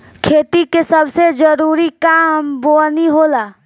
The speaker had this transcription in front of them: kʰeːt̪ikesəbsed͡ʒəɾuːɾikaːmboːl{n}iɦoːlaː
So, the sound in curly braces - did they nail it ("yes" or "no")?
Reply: yes